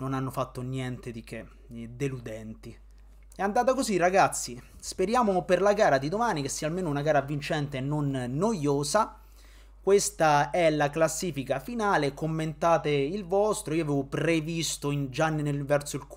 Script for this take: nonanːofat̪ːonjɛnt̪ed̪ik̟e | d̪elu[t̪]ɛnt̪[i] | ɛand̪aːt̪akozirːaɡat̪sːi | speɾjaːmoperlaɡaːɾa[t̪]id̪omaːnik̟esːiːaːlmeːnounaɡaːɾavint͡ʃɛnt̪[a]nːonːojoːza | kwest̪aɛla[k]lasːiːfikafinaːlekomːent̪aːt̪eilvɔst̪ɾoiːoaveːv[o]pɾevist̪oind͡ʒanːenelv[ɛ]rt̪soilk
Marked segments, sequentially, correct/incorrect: incorrect, correct, incorrect, incorrect, correct, correct, correct

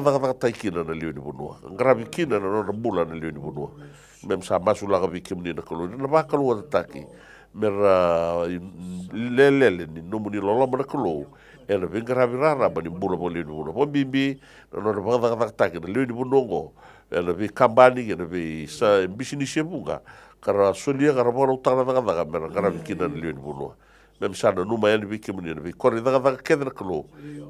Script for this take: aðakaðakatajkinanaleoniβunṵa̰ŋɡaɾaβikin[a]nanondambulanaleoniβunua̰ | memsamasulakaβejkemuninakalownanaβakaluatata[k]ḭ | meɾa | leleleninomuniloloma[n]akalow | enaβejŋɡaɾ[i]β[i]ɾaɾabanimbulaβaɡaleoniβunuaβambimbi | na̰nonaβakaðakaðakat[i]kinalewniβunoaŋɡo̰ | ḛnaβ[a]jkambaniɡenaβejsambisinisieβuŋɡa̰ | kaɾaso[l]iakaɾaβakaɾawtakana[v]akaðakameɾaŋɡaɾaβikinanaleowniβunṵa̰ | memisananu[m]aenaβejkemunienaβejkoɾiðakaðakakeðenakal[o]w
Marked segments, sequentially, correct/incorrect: correct, correct, correct, incorrect, correct, incorrect, incorrect, correct, incorrect, correct, correct

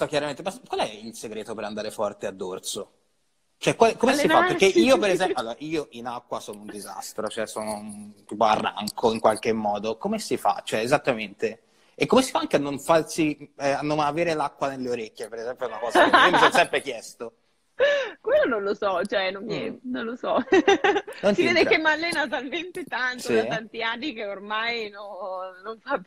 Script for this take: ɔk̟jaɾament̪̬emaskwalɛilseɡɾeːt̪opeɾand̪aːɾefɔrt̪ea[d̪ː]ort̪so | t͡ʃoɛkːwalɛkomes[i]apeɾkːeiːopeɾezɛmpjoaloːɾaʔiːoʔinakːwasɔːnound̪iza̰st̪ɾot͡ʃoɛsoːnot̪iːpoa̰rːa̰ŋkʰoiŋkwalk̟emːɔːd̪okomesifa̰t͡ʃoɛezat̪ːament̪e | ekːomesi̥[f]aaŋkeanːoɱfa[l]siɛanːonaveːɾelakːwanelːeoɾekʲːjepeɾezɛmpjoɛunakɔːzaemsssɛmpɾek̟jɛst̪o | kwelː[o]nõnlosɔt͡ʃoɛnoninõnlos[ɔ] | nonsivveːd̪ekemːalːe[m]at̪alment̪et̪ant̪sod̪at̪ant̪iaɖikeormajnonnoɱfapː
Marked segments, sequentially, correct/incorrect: correct, correct, correct, incorrect, correct, correct, incorrect

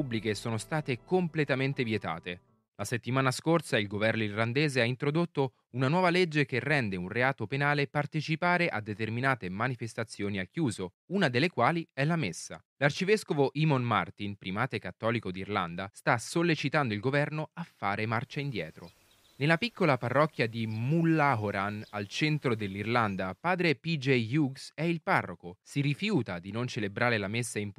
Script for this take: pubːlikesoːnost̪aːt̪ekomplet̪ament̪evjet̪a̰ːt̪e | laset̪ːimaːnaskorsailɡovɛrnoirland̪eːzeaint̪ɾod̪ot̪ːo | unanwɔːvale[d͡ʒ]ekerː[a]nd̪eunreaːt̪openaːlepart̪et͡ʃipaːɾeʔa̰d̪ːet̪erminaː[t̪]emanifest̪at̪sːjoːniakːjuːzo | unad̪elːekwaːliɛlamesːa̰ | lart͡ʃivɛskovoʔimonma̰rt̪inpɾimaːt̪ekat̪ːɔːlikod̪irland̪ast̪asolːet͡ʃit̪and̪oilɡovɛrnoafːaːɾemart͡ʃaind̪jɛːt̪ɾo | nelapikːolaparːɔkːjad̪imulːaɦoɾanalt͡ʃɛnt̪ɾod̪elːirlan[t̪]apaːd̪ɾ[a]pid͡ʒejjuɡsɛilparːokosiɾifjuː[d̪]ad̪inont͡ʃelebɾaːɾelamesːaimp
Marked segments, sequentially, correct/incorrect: incorrect, incorrect, correct, incorrect, incorrect, incorrect

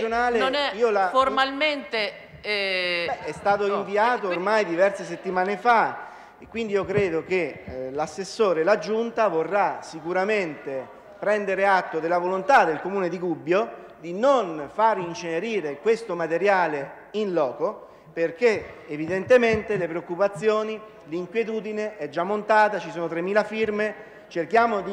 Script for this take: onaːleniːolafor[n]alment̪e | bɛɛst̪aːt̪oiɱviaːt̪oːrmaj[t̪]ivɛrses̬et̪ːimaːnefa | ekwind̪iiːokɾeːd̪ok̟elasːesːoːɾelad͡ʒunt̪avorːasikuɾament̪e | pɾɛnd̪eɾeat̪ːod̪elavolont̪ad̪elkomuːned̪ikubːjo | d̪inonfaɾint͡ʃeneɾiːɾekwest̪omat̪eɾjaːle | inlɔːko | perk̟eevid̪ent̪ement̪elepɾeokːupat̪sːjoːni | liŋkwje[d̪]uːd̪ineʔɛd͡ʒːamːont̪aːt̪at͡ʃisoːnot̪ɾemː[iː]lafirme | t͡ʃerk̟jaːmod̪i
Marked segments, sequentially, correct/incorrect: incorrect, incorrect, incorrect, correct

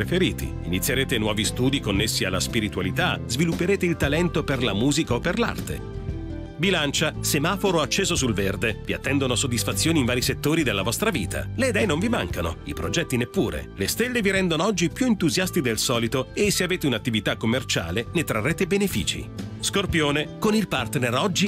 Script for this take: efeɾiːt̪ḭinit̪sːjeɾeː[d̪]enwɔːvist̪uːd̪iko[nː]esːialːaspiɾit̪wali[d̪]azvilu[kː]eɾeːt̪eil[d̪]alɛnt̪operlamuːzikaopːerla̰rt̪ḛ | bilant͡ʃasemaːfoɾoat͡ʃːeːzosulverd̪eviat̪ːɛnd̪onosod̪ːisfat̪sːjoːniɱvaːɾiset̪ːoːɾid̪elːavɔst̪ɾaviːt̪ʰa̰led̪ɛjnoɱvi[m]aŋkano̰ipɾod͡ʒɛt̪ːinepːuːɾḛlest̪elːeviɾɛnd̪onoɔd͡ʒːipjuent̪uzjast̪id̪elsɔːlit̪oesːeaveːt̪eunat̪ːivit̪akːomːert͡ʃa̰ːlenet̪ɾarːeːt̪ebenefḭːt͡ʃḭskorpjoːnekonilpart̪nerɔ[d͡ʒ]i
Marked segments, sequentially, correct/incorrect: incorrect, correct, incorrect, incorrect, incorrect, correct, incorrect

